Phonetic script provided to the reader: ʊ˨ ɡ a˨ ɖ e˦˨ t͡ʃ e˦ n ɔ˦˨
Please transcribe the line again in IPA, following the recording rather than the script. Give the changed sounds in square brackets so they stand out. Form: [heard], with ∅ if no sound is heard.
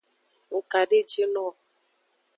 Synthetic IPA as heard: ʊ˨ [k] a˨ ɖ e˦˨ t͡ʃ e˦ n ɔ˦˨

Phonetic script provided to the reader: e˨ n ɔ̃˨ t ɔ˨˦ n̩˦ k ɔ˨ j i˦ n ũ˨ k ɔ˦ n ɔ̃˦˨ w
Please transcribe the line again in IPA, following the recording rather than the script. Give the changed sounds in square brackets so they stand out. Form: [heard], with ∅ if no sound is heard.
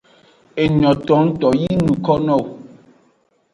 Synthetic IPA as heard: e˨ [ɲ] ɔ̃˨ t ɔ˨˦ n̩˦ [t] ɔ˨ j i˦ n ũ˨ k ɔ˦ n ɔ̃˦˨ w

